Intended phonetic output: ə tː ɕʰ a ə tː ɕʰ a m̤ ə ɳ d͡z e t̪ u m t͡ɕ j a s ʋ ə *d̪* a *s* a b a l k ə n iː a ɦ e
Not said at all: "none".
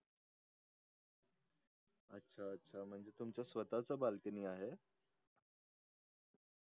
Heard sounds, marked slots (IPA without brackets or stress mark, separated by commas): t̪, t͡s